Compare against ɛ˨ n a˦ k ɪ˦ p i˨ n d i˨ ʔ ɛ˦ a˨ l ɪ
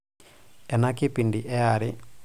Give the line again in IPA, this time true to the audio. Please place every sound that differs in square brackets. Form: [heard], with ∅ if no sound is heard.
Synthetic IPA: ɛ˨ n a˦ k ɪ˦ p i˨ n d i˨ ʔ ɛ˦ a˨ [ɾ] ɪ